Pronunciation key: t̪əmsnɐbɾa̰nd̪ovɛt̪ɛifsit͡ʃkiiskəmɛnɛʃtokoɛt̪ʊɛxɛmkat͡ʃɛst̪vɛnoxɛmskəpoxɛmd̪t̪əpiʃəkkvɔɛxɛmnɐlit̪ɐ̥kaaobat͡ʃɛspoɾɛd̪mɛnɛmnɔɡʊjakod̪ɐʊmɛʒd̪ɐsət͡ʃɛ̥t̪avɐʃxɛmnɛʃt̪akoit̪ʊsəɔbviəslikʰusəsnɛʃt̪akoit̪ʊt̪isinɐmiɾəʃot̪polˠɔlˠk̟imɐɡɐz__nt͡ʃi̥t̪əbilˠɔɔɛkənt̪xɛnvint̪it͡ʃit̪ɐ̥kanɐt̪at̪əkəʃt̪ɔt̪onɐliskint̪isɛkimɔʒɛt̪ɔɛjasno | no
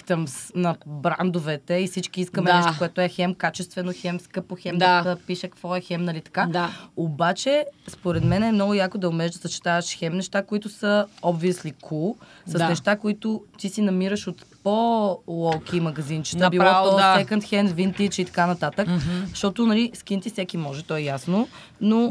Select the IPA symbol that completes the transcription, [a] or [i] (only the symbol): i